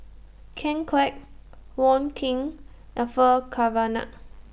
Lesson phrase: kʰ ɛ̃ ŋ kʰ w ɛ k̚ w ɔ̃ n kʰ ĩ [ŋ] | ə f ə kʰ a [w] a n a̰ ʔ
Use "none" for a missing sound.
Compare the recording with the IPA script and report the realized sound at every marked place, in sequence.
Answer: ŋ, v

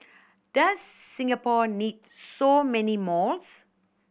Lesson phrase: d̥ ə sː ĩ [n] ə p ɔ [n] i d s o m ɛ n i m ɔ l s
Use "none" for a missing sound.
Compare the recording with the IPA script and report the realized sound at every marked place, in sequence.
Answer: ŋ, n

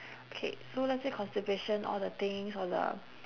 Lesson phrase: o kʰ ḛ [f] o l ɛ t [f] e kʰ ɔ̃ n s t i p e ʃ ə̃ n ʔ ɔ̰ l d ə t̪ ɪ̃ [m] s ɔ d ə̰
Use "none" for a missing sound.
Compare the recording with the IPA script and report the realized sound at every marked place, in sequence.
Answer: s, s, ŋ

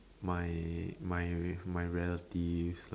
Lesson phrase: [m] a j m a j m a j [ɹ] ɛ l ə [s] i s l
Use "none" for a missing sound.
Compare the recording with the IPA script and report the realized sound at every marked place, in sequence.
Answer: m, ɹ, t

